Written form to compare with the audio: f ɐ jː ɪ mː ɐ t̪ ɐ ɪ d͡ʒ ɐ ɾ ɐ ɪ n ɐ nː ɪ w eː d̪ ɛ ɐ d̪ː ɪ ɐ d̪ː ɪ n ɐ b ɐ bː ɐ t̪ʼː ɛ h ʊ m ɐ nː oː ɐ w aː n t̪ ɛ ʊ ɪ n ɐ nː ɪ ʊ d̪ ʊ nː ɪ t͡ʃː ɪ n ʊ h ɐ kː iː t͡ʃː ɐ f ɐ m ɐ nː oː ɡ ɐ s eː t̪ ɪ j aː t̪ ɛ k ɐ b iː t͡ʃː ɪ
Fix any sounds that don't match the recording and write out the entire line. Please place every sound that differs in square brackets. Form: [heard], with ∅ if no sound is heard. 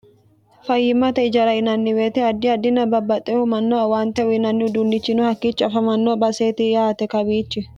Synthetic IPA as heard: f ɐ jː ɪ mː ɐ t̪ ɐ ɪ d͡ʒ ɐ ɾ ɐ ɪ n ɐ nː ɪ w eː [t̪] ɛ ɐ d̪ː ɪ ɐ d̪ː ɪ n ɐ b ɐ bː ɐ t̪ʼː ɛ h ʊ m ɐ nː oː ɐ w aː n t̪ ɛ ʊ ɪ n ɐ nː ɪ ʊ d̪ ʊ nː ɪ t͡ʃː ɪ n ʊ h ɐ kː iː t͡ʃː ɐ f ɐ m ɐ nː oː [b] ɐ s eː t̪ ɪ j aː t̪ ɛ k ɐ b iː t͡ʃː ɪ

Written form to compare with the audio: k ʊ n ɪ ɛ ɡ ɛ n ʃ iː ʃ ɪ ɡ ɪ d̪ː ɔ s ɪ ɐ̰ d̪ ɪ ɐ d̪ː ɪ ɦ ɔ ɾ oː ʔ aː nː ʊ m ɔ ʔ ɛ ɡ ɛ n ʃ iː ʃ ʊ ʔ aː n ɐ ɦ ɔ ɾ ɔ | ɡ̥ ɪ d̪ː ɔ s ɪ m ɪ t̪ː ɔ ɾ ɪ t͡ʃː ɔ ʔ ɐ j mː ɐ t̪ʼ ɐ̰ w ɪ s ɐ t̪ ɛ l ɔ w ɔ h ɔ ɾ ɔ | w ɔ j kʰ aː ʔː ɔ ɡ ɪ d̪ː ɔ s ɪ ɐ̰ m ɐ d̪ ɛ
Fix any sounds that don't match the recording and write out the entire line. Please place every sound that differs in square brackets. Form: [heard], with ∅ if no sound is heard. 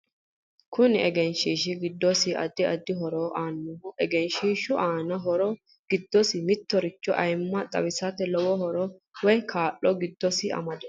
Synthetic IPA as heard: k ʊ n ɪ ɛ ɡ ɛ n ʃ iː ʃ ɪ ɡ ɪ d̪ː ɔ s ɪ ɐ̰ d̪ ɪ ɐ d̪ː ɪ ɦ ɔ ɾ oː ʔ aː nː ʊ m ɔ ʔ ɛ ɡ ɛ n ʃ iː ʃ ʊ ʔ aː n ɐ ɦ ɔ ɾ ɔ | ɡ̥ ɪ d̪ː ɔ s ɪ m ɪ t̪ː ɔ ɾ ɪ t͡ʃː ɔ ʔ ɐ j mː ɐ t̪ʼ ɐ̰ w ɪ s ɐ t̪ ɛ l ɔ w ɔ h ɔ ɾ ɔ | w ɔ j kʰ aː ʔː ɔ ɡ ɪ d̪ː ɔ s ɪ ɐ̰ m ɐ d̪ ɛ

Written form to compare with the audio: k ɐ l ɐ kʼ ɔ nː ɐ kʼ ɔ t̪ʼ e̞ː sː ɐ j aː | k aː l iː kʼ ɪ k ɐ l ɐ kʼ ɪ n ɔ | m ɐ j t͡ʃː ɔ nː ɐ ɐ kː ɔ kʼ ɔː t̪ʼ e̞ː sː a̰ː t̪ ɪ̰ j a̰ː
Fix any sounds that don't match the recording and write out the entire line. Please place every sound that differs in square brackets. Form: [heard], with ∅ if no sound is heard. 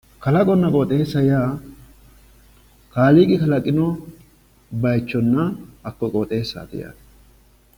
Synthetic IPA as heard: k ɐ l ɐ kʼ ɔ nː ɐ kʼ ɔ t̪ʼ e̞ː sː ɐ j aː | k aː l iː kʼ ɪ k ɐ l ɐ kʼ ɪ n ɔ | [b] ɐ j t͡ʃː ɔ nː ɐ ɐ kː ɔ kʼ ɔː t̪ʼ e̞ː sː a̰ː t̪ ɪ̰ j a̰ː

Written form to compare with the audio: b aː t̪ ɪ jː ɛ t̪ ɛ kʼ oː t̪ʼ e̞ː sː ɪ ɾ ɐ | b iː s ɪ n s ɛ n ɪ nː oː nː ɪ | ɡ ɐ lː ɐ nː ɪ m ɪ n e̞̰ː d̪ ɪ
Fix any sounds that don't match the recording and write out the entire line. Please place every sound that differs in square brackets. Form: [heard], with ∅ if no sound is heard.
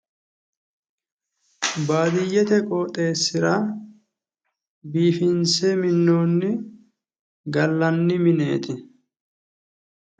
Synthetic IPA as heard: b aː [d̪] ɪ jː ɛ t̪ ɛ kʼ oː t̪ʼ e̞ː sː ɪ ɾ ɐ | b iː [f] ɪ n s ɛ [m] ɪ nː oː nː ɪ | ɡ ɐ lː ɐ nː ɪ m ɪ n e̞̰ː [t̪] ɪ

